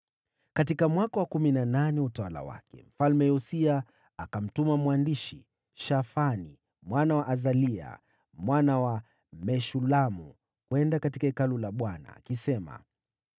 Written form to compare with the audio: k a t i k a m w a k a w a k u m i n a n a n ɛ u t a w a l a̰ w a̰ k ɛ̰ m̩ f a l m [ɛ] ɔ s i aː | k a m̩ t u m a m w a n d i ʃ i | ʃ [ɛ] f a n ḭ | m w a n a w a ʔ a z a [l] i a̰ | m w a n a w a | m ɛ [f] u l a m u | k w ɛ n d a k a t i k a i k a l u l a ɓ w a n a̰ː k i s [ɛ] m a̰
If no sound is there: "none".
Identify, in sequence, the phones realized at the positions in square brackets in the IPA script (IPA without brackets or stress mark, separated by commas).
ɛ, a, l, ʃ, ɛ